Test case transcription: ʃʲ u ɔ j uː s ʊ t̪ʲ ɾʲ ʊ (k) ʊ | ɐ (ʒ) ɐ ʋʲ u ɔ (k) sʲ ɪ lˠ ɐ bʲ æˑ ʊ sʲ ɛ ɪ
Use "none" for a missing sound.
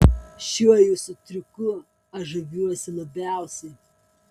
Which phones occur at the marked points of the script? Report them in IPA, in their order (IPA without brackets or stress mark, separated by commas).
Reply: k, ʒ, none